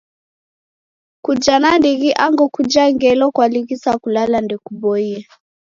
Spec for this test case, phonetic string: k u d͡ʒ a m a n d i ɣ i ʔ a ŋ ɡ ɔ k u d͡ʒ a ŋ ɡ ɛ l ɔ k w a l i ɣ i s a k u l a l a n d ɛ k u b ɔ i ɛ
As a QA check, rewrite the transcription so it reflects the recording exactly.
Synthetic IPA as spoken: k u d͡ʒ a n a n d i ɣ i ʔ a ŋ ɡ ɔ k u d͡ʒ a ŋ ɡ ɛ l ɔ k w a l i ɣ i s a k u l a l a n d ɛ k u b ɔ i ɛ